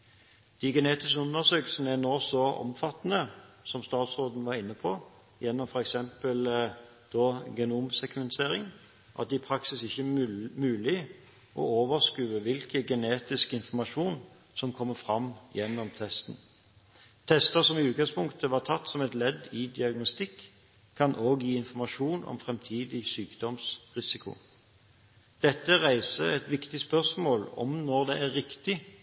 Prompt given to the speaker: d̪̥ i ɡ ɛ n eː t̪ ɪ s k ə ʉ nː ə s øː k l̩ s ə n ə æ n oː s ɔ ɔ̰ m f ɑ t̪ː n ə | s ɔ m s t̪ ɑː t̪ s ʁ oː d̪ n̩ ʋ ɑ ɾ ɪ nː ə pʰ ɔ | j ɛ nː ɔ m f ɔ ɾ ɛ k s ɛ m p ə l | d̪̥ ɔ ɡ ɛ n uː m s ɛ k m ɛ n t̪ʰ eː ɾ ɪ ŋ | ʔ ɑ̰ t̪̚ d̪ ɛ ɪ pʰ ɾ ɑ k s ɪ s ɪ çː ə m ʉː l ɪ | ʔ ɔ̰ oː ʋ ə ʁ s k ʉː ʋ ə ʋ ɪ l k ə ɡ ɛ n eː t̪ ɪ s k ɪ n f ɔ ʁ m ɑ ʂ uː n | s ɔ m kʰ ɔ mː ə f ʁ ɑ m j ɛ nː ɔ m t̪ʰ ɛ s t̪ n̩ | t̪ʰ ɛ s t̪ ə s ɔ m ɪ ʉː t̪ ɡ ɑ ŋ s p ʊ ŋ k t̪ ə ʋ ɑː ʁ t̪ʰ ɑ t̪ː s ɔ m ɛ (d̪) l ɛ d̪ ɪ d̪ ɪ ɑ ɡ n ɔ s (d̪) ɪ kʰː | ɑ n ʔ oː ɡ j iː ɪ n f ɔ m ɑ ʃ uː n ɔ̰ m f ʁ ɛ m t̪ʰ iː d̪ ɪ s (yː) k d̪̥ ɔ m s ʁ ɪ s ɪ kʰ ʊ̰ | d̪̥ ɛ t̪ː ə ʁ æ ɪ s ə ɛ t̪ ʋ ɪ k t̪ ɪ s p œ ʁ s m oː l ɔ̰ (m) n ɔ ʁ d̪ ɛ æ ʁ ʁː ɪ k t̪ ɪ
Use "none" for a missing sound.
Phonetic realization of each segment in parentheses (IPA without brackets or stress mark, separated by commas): t̪, t̪, yː, m